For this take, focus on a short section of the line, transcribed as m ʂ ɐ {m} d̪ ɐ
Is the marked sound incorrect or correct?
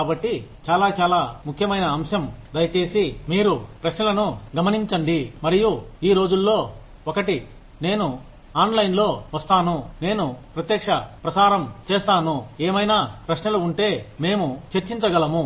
correct